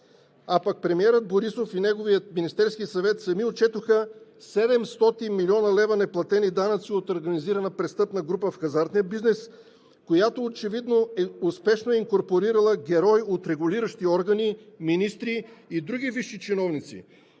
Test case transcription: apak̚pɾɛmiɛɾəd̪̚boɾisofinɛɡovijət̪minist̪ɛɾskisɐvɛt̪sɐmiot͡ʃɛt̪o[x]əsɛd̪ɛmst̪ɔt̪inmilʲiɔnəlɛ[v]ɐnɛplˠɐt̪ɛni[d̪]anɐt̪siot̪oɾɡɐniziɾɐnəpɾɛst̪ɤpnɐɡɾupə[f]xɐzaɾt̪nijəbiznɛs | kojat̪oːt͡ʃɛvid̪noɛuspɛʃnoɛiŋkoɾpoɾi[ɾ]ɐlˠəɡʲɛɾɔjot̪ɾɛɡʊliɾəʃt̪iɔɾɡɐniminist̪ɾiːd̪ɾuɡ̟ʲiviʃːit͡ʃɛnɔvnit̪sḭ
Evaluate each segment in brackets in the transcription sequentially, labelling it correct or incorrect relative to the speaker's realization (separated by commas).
correct, correct, correct, correct, correct